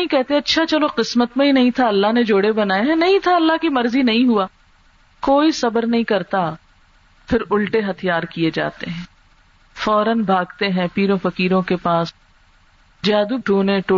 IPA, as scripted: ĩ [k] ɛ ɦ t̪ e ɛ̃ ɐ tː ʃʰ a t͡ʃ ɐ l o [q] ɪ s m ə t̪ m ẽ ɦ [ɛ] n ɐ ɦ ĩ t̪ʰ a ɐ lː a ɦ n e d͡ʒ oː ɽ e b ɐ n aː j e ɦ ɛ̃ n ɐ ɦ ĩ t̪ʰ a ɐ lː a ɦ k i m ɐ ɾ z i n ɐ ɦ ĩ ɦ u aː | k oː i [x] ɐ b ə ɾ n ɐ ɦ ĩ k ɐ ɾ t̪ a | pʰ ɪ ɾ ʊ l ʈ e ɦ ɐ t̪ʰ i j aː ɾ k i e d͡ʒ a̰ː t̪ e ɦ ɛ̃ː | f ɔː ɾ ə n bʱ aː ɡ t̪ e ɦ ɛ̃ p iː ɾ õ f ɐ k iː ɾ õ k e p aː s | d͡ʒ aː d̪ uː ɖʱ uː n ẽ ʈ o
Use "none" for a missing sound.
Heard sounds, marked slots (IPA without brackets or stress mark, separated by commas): k, q, i, s